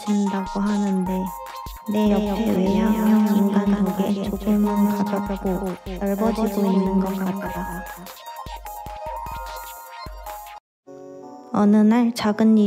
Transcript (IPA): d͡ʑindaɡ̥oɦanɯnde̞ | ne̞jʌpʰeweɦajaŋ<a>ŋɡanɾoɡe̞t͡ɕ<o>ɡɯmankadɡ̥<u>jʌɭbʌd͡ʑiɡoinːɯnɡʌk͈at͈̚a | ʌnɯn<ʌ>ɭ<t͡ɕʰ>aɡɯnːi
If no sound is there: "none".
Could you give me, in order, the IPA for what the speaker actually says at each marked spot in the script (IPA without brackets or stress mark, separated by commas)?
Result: i, o, o, a, t͡ɕ